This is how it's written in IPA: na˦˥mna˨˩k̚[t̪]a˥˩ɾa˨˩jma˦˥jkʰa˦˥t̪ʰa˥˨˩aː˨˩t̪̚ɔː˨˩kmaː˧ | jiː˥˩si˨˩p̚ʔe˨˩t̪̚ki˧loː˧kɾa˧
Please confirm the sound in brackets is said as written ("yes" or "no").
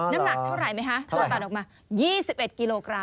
no